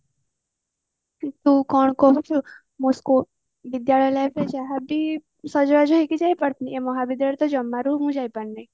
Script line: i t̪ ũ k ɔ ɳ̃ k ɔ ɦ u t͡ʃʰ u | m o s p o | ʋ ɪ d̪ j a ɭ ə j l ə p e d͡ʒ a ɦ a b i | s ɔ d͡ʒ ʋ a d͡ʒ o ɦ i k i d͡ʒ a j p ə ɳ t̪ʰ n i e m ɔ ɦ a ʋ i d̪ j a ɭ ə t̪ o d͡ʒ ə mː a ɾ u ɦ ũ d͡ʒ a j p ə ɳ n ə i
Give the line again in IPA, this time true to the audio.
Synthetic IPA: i t̪ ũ k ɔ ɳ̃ k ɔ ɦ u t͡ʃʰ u | m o s k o | ʋ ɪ d̪ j a ɭ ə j l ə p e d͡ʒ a ɦ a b i | s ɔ d͡ʒ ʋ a d͡ʒ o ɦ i k i d͡ʒ a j p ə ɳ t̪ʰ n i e m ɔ ɦ a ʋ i d̪ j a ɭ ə t̪ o d͡ʒ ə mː a ɾ u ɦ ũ d͡ʒ a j p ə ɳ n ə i